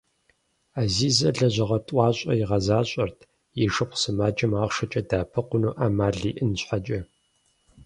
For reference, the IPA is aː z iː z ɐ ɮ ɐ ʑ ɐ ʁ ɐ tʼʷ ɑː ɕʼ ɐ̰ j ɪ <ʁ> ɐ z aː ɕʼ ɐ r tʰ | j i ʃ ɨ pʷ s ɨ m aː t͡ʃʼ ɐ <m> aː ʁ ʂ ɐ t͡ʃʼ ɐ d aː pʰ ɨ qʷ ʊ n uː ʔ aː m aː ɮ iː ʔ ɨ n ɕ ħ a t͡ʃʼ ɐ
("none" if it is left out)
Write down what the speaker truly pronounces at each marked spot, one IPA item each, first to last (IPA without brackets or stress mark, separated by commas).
ʁ, m